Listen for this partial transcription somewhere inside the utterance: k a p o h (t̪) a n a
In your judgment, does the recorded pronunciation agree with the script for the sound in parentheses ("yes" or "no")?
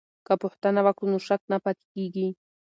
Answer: yes